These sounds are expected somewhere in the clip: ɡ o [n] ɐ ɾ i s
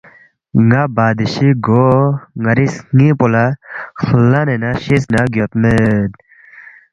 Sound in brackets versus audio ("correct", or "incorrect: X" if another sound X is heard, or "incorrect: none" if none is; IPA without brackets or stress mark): incorrect: ŋ